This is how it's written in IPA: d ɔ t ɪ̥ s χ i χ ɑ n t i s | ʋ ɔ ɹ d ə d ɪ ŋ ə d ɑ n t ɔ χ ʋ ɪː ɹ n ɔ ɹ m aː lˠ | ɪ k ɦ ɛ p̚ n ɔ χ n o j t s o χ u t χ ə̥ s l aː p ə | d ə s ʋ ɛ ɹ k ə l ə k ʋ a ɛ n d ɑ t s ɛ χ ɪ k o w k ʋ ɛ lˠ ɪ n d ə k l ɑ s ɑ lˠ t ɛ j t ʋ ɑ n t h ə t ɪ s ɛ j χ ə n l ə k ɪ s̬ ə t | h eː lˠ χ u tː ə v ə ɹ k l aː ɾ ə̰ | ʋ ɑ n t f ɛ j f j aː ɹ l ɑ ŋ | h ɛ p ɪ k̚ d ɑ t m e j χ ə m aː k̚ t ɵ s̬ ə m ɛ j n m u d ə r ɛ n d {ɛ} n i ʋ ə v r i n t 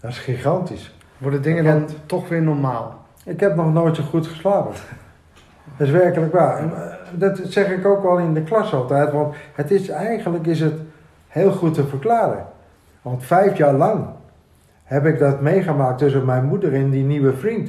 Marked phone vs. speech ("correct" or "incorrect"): incorrect